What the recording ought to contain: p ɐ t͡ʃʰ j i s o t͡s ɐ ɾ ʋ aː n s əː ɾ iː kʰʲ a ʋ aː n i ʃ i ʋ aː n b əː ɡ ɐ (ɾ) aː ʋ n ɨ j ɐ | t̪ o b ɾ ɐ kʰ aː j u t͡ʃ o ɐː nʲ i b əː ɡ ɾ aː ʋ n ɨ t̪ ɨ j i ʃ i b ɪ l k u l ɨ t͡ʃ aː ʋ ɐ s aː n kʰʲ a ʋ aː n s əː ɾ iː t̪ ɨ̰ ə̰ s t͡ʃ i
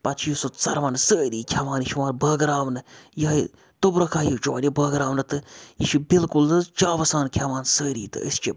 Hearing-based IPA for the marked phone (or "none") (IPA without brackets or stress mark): ɾ